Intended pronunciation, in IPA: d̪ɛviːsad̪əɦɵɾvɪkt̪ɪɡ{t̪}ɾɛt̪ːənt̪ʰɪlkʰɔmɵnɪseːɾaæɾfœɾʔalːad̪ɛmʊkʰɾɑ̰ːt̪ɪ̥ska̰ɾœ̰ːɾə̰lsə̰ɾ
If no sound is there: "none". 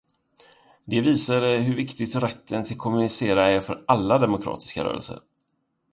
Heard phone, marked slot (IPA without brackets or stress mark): t̪